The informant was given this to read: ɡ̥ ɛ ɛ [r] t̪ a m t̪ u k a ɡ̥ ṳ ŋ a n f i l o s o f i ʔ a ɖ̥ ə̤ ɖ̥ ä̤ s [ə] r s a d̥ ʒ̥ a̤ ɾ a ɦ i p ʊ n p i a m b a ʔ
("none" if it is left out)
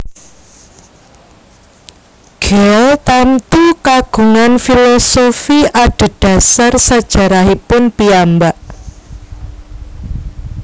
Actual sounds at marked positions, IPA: l, a

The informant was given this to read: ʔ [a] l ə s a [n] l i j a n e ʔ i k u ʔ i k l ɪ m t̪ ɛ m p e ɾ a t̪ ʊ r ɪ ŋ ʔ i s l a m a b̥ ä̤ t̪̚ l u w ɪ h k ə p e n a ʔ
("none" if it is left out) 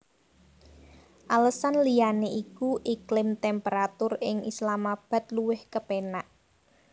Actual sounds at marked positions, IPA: a, n

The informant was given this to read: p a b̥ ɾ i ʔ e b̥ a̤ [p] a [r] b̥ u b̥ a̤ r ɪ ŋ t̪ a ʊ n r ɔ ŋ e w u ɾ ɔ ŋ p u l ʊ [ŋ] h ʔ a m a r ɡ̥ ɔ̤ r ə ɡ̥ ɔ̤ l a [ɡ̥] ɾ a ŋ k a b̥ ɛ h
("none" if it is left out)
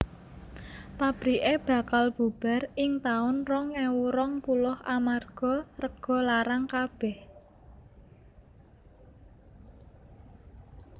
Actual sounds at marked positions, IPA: k, l, none, none

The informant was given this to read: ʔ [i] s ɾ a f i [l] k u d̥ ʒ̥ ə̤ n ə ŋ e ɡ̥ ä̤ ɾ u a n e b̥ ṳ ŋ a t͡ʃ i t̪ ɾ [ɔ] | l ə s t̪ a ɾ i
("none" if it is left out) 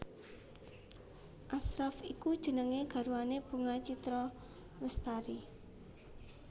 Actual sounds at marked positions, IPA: a, none, ɔ

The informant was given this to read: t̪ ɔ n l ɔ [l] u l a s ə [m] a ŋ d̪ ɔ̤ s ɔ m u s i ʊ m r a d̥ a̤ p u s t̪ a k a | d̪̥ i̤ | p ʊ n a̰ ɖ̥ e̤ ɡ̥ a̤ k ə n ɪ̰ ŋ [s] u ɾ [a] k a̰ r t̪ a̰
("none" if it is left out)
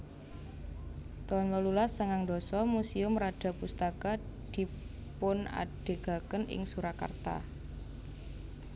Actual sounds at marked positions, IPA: l, ŋ, s, a

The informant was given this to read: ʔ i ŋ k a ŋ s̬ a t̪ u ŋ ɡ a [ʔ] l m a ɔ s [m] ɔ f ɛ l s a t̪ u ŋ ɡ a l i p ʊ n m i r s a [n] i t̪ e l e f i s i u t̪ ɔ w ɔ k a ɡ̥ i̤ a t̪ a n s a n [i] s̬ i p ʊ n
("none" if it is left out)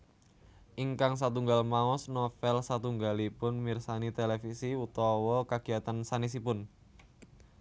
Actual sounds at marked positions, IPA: none, n, n, i

